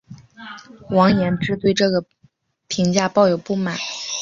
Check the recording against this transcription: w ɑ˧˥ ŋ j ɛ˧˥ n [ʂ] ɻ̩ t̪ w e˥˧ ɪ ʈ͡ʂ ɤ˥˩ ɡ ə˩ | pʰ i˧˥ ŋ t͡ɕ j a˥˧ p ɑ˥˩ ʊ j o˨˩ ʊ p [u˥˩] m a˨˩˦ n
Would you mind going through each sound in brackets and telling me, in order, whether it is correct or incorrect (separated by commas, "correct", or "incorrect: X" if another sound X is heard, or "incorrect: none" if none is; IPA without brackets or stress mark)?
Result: incorrect: ʈ͡ʂ, correct